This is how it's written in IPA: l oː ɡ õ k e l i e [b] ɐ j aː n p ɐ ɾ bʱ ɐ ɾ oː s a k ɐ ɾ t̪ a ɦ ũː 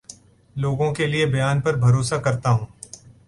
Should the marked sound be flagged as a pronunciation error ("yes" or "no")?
no